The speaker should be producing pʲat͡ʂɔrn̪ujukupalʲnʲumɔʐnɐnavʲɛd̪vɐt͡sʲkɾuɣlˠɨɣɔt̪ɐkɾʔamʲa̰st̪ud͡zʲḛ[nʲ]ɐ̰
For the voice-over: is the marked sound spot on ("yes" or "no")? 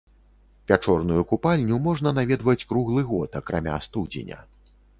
yes